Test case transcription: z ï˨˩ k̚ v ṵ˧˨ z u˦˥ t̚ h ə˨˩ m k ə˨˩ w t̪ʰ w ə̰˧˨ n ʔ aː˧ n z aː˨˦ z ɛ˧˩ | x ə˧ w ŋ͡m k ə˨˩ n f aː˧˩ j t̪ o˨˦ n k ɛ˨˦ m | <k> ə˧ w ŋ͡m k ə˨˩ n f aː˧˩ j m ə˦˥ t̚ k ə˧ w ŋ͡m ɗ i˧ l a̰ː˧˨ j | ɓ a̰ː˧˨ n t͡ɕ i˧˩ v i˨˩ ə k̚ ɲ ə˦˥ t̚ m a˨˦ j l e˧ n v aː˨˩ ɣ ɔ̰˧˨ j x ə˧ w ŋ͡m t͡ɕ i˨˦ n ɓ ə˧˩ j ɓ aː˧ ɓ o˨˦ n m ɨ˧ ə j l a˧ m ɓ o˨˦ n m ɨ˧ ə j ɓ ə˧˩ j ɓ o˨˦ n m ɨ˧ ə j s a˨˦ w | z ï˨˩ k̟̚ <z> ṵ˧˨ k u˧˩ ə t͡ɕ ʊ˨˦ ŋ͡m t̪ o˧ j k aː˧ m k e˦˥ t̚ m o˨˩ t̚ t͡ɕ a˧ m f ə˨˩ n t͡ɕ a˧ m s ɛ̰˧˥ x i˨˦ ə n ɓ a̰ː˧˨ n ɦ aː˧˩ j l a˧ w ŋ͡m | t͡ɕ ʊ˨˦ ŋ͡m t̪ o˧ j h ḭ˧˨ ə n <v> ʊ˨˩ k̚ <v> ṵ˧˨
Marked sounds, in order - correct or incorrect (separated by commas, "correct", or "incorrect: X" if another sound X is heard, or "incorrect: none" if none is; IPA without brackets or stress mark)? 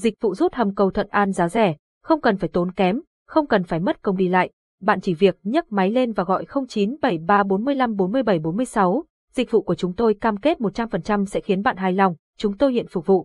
incorrect: x, incorrect: v, incorrect: f, correct